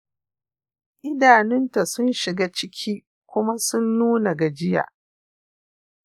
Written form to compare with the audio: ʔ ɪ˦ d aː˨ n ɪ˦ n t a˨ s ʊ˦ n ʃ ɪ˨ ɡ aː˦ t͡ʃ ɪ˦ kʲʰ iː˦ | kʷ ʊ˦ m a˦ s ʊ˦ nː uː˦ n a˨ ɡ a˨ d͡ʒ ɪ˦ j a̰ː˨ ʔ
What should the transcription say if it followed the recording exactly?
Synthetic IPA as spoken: ʔ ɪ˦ d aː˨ n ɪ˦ n t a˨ s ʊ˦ n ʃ ɪ˨ ɡ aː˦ t͡ʃ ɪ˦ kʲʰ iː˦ | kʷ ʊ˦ m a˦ s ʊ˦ nː uː˦ n a˨ ɡ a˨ d͡ʒ ɪ˦ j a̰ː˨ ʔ